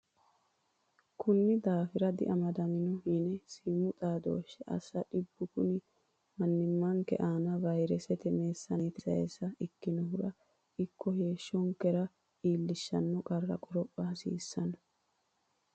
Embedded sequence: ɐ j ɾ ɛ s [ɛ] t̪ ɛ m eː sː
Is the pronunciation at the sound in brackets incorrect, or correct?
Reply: correct